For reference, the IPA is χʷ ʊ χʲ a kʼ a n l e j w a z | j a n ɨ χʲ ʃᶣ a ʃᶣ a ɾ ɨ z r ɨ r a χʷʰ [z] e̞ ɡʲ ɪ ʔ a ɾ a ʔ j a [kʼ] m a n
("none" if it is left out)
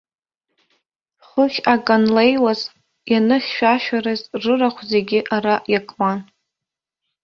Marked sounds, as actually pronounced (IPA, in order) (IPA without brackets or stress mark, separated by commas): z, kʼ